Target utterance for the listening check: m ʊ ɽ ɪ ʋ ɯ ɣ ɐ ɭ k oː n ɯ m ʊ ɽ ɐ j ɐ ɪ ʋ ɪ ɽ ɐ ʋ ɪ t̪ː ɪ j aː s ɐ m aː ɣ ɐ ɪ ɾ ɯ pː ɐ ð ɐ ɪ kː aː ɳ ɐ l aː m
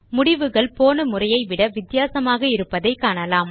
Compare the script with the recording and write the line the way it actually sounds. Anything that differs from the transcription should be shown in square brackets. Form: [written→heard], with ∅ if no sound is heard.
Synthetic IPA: m ʊ ɽ ɪ ʋ ɯ ɣ ɐ ɭ [k→p] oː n ɯ m ʊ [ɽ→r] ɐ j ɐ ɪ ʋ ɪ ɽ ɐ ʋ ɪ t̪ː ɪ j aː s ɐ m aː ɣ ɐ ɪ ɾ ɯ pː ɐ ð ɐ ɪ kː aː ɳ ɐ l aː m